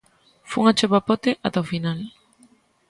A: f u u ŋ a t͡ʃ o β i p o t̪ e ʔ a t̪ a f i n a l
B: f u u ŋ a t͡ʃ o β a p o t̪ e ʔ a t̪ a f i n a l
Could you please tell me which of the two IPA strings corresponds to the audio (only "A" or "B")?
B